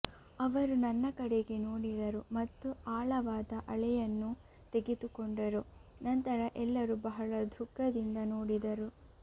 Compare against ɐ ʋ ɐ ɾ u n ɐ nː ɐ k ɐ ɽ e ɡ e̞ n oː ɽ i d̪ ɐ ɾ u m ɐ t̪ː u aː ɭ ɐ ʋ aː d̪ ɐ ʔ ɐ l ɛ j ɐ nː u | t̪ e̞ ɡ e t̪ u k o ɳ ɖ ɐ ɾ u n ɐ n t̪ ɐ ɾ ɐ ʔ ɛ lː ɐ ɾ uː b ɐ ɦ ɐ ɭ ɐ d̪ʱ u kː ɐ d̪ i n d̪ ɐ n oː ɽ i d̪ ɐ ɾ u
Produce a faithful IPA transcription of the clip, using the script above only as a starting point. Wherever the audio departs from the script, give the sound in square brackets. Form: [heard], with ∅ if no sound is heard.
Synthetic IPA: ɐ ʋ ɐ ɾ u n ɐ nː ɐ k ɐ ɽ e ɡ e̞ n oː ɽ i d̪ ɐ ɾ u m ɐ t̪ː u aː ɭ ɐ ʋ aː d̪ ɐ ʔ ɐ [ɭ] ɛ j ɐ nː u | t̪ e̞ ɡ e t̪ u k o ɳ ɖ ɐ ɾ u n ɐ n t̪ ɐ ɾ ɐ ʔ ɛ lː ɐ ɾ [u] b ɐ ɦ ɐ ɭ ɐ d̪ʱ u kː ɐ d̪ i n d̪ ɐ n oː ɽ i d̪ ɐ ɾ u